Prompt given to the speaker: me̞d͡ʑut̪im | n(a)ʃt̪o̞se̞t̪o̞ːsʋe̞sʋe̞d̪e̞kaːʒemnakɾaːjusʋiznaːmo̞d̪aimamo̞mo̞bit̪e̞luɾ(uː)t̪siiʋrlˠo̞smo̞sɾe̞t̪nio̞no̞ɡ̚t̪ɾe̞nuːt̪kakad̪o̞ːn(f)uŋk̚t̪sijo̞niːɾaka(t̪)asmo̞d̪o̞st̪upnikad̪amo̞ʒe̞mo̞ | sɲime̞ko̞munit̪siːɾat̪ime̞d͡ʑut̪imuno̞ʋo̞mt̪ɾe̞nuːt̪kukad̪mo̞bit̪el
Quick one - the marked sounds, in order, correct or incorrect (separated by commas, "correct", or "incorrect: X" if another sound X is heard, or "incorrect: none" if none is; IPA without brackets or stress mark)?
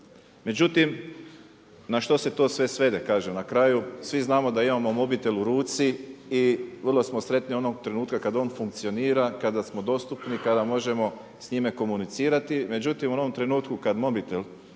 correct, correct, correct, incorrect: d̪